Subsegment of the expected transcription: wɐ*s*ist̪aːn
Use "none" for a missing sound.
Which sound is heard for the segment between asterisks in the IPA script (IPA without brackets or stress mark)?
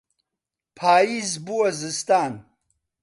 z